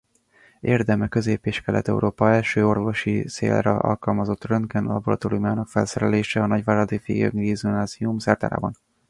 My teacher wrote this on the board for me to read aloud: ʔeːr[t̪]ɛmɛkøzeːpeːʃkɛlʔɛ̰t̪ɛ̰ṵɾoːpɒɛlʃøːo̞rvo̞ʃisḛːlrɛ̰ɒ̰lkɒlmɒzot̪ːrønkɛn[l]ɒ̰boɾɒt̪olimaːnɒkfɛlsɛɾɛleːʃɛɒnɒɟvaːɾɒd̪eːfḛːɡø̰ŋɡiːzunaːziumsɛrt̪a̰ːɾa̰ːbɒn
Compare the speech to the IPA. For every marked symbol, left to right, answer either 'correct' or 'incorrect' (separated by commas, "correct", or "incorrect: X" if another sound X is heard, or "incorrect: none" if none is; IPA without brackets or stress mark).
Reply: incorrect: d̪, correct